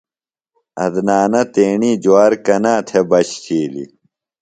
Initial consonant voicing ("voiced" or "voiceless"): voiced